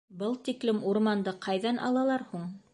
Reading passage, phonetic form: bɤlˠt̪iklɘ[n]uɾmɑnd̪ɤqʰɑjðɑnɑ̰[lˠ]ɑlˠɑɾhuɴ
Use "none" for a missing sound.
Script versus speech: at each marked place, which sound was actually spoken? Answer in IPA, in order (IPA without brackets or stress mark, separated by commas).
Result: m, lˠ